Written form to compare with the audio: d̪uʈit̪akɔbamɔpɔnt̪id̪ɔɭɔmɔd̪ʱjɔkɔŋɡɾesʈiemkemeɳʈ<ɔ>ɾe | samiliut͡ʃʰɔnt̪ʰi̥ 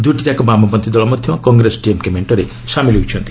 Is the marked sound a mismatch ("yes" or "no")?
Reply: no